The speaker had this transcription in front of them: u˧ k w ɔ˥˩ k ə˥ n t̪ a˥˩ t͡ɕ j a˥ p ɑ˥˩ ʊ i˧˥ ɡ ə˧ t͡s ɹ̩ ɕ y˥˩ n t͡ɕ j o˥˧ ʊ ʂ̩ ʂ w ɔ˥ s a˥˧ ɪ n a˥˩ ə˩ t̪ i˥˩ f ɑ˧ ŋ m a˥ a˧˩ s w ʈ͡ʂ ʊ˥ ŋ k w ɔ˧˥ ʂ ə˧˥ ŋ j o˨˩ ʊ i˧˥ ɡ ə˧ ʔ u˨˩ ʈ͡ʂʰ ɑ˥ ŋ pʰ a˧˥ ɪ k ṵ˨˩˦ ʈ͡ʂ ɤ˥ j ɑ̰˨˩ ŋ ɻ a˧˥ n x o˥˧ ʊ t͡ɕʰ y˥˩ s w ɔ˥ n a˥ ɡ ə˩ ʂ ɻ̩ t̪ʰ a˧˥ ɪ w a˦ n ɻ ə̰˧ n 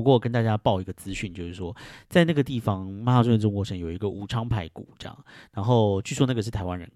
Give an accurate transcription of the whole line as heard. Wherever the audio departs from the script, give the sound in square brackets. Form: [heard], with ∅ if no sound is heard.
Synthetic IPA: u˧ k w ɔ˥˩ k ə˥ n t̪ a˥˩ t͡ɕ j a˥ p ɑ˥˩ ʊ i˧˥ ɡ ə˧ t͡s ɹ̩ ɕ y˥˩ n t͡ɕ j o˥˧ ʊ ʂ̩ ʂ w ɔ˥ [t͡s] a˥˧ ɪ n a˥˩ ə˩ t̪ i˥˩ f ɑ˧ ŋ m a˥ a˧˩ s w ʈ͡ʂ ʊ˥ ŋ k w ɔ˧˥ ʂ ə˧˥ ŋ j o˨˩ ʊ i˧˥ ɡ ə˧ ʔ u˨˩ ʈ͡ʂʰ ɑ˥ ŋ pʰ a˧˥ ɪ k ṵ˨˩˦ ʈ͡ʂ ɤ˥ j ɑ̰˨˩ ŋ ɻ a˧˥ n x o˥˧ ʊ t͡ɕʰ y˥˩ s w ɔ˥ n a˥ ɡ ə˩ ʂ ɻ̩ t̪ʰ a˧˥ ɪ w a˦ n ɻ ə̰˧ n